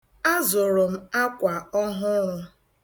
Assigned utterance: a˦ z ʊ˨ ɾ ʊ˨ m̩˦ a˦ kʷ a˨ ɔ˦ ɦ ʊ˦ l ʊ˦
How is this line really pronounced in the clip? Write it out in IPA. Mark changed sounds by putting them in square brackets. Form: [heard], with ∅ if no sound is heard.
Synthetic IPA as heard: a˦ z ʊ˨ ɾ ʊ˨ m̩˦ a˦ kʷ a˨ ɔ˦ ɦ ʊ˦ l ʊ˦